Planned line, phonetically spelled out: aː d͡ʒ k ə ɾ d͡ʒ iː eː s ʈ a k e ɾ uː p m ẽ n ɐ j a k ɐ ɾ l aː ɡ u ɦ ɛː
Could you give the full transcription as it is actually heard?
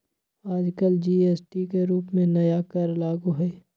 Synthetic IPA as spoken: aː d͡ʒ k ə l d͡ʒ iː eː s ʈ i k e ɾ uː p m ẽ n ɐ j a k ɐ ɾ l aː ɡ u ɦ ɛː